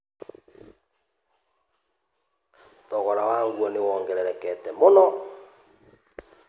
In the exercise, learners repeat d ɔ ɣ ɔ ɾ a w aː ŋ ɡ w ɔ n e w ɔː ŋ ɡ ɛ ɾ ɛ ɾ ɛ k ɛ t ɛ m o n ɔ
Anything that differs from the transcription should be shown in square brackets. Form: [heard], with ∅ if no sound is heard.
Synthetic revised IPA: [t] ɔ ɣ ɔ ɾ a w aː ŋ ɡ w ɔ n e w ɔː ŋ ɡ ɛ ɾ ɛ ɾ ɛ k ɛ t ɛ m o n ɔ